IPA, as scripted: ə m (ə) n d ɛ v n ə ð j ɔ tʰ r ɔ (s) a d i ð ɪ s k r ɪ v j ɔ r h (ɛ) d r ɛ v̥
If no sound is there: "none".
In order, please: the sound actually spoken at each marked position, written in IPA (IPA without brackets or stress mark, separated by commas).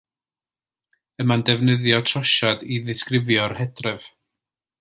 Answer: a, ʃ, ɛ